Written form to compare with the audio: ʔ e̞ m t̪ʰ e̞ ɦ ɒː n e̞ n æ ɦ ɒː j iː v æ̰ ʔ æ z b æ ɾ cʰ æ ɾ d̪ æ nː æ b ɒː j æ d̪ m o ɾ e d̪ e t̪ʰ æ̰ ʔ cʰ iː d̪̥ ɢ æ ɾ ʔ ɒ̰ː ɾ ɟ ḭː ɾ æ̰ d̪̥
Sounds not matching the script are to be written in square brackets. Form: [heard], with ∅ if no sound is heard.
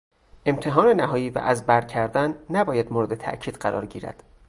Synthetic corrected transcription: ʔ e̞ m t̪ʰ e̞ ɦ ɒː n e̞ n æ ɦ ɒː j iː v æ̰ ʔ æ z b æ ɾ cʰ æ ɾ d̪ æ nː æ b ɒː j æ d̪ m o ɾ e d̪ e t̪ʰ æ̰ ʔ cʰ iː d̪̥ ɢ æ ɾ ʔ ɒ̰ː ɾ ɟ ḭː ɾ æ̰ d̪̥